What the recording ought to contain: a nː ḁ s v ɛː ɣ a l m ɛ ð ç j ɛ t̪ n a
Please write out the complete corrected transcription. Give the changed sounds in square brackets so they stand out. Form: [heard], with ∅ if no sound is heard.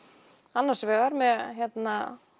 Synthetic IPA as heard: a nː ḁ s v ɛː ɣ a [ɾ] m ɛ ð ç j ɛ t̪ n a